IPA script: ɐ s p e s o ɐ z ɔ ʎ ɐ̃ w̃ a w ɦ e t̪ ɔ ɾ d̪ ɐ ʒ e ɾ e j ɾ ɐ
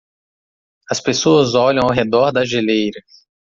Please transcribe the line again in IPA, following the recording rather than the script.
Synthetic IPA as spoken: ɐ s p e s o ɐ z ɔ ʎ ɐ̃ w̃ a w ɦ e d̪ ɔ ɾ d̪ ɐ ʒ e l e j ɾ ɐ